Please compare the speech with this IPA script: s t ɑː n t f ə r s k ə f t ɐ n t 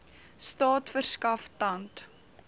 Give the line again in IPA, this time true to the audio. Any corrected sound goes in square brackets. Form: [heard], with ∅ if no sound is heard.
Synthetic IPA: s t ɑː [∅] t f ə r s k [ɐ] f t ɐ n t